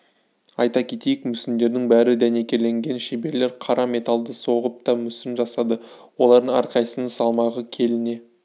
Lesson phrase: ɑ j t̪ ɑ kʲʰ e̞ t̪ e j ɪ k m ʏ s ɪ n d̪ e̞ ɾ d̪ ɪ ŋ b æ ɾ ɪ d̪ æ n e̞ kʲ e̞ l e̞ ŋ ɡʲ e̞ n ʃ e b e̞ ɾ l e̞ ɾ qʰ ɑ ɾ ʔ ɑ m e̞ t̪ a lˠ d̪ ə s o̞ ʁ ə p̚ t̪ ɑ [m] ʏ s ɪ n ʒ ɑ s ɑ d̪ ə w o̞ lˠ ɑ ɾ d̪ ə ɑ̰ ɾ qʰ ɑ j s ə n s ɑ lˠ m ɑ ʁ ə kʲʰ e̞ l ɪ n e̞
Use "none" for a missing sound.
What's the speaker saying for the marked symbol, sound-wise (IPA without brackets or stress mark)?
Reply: m